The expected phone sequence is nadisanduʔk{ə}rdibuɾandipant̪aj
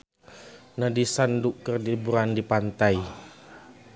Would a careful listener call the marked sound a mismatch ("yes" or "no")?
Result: no